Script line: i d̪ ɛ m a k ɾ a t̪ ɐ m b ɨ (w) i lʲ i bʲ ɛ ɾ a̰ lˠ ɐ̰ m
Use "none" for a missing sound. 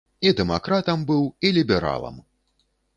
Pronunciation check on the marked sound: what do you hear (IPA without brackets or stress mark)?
w